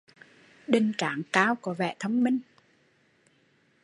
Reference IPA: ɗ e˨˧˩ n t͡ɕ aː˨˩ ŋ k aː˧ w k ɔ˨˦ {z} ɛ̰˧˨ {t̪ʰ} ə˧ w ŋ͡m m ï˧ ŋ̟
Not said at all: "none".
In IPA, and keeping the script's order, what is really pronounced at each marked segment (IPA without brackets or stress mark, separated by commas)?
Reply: v, t̪ʰ